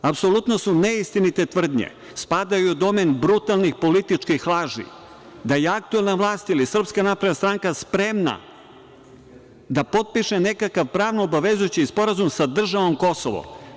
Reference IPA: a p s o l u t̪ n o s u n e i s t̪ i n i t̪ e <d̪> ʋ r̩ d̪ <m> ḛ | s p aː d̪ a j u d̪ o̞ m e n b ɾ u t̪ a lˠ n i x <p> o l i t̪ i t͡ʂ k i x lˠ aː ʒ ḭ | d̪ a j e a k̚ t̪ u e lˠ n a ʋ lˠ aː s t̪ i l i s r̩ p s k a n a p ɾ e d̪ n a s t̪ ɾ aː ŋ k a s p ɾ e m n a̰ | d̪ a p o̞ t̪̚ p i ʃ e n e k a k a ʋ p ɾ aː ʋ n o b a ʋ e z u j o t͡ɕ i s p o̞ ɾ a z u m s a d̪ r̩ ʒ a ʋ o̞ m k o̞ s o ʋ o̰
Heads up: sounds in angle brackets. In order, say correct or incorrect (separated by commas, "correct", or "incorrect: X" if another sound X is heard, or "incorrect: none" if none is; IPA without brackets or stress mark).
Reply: incorrect: t̪, incorrect: ɲ, correct